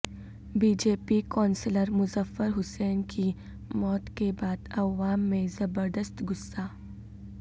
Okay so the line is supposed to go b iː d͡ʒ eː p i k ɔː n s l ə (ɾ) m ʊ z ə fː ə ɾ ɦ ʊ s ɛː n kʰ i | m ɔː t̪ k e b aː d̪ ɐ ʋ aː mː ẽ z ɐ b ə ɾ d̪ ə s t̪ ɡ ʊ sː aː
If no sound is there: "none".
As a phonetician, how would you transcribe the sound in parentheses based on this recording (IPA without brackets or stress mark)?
ɾ